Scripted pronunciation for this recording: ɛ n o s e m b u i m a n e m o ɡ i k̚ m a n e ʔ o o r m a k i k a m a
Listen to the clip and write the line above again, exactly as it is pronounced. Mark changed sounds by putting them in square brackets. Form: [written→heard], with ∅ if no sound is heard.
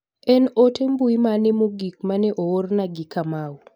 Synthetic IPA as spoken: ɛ n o [s→t] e m b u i m a n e m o ɡ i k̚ m a n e ʔ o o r [m→n] a [k→ɡ] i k a m a